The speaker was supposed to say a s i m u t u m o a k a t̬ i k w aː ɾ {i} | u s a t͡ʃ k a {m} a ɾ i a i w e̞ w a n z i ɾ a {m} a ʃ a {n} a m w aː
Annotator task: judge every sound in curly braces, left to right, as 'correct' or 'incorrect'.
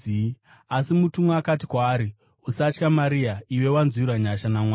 correct, correct, incorrect, correct

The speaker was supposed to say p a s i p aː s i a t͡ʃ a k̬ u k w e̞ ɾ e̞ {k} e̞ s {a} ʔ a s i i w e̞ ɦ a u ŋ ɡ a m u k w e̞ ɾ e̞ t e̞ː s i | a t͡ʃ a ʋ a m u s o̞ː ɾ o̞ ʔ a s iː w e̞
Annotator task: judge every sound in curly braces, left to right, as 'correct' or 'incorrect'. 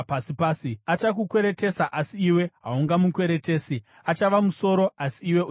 incorrect, correct

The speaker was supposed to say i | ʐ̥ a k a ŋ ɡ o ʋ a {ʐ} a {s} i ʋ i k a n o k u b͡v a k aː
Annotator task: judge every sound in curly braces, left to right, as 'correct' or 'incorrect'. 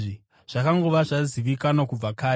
correct, incorrect

